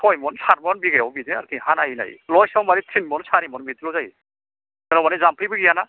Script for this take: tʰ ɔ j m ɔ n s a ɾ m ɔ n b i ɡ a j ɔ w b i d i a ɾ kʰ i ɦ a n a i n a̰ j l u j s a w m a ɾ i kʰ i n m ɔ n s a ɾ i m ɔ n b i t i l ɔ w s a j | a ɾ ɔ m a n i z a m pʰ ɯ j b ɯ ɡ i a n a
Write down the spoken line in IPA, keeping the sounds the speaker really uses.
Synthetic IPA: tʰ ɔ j m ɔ n s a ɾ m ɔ n b i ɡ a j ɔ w b i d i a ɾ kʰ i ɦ a n a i n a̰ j l ɔ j s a w m a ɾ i tʰ i n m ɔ n s a ɾ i m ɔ n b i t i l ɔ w z a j | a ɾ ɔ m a n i z a m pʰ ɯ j b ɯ ɡ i a n a